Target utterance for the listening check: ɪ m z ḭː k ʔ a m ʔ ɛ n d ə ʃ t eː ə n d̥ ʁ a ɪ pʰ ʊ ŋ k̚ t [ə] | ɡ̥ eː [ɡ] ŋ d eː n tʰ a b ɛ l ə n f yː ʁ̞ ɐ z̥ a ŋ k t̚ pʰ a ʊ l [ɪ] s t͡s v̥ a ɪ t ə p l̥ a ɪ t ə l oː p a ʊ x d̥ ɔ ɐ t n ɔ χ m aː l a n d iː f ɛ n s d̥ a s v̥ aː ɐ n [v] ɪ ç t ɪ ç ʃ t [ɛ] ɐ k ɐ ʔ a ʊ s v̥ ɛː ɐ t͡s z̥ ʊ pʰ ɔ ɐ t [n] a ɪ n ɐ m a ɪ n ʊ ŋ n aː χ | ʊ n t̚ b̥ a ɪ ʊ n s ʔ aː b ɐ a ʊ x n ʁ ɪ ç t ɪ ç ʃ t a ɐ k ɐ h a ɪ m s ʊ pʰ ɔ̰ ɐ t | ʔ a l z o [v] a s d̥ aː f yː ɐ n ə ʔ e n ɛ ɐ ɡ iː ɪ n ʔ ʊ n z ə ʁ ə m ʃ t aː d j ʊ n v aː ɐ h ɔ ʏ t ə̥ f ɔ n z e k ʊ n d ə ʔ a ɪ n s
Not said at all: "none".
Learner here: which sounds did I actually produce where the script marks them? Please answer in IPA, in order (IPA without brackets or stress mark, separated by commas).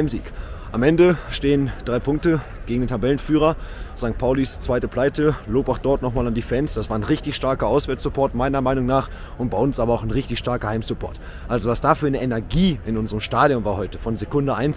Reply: ə, ɡ, i, ʁ, a, m, v